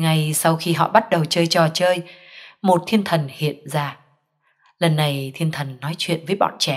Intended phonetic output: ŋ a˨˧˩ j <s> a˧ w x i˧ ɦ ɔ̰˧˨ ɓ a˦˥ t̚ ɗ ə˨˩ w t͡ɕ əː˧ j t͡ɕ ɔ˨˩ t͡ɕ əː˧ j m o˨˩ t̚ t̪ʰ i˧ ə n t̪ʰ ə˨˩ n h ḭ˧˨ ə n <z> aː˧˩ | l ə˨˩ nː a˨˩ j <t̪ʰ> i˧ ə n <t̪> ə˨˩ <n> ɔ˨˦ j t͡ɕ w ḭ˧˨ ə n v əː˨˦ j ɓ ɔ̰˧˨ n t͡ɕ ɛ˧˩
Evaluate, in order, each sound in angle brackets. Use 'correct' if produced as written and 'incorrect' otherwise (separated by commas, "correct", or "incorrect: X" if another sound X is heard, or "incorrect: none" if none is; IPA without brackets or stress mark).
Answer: correct, correct, correct, incorrect: t̪ʰ, incorrect: nː